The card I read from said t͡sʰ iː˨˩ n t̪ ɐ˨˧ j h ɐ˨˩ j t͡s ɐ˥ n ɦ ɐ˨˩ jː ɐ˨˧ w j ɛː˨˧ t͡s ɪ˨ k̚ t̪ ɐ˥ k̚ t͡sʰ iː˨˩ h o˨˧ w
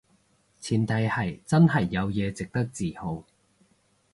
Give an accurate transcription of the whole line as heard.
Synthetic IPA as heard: t͡sʰ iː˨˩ n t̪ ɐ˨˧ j h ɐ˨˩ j t͡s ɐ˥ n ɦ ɐ˨˩ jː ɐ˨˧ w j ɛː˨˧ t͡s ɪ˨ k̚ t̪ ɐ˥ k̚ t͡s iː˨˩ h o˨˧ w